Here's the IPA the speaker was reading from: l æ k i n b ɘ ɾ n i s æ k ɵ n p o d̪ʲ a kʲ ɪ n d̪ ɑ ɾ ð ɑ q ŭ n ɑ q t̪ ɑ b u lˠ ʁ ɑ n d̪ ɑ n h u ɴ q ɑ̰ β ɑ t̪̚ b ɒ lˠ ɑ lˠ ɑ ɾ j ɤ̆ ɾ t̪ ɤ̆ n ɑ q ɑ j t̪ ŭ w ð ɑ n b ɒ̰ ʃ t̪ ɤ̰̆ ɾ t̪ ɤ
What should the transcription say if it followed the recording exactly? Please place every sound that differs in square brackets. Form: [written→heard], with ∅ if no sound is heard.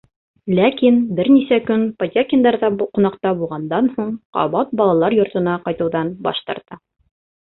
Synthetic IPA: l æ k i n b ɘ ɾ n i s æ k ɵ n p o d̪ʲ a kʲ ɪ n d̪ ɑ ɾ ð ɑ q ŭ n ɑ q t̪ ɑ b u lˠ ʁ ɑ n d̪ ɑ n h u ɴ q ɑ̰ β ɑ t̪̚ b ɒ lˠ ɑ lˠ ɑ ɾ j [ɤ̆→ŏ] ɾ t̪ ɤ̆ n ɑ q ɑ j t̪ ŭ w ð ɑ n b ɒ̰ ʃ t̪ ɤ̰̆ ɾ t̪ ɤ